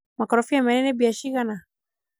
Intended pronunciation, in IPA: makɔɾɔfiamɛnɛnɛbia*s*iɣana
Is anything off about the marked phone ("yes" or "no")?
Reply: yes